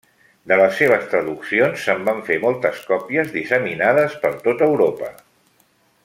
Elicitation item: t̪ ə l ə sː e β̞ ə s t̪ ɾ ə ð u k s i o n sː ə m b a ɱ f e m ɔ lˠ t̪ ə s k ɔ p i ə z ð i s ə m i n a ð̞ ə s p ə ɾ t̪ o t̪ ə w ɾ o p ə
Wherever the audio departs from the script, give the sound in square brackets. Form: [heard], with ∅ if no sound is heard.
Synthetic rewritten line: [d̪] ə l ə sː e β̞ ə s t̪ ɾ ə ð u k s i o n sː ə m b a ɱ f e m ɔ lˠ t̪ ə s k ɔ p i ə z ð i s ə m i n a ð̞ ə s p ə ɾ t̪ o t̪ ə w ɾ o p ə